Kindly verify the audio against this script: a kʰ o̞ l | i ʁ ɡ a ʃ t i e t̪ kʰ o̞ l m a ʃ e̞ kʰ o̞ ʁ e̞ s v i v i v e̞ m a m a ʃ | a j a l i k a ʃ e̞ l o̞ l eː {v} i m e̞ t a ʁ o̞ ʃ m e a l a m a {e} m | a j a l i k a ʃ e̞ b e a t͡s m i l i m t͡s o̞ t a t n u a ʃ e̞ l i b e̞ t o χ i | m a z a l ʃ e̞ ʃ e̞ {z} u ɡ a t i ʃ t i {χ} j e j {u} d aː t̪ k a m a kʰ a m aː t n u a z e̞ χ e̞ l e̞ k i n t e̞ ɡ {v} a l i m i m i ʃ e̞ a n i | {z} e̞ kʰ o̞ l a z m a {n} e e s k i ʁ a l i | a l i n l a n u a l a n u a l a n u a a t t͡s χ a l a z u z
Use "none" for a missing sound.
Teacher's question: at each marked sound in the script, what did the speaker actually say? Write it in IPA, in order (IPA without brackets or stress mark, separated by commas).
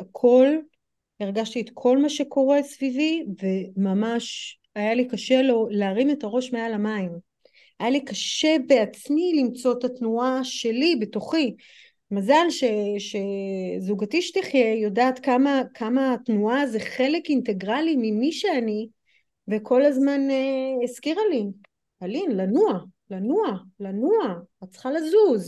ʁ, i, z, χ, o, ʁ, v, n